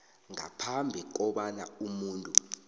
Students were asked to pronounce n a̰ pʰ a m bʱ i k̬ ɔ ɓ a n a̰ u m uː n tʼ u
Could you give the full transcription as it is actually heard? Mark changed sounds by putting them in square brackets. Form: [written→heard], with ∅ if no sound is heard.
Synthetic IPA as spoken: [n→ŋ] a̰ pʰ a m bʱ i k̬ ɔ ɓ a n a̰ u m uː n tʼ u